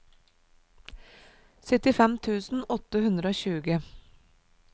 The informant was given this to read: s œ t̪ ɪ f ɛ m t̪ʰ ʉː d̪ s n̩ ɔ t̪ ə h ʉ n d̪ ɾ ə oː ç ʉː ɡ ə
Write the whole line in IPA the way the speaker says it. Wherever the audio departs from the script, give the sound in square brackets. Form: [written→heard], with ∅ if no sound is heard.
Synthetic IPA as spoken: s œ t̪ ɪ f ɛ m t̪ʰ ʉː [d̪→∅] s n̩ ɔ t̪ ə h ʉ n d̪ ɾ ə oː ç ʉː ɡ ə